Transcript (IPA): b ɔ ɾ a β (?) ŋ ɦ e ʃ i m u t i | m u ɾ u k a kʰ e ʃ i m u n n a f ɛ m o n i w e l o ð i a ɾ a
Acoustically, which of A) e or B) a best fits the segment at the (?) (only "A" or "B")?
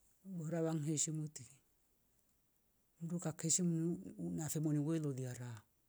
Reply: B